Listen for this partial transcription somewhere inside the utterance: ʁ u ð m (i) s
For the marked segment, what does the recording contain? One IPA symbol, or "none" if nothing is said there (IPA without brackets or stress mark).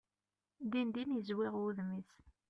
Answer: i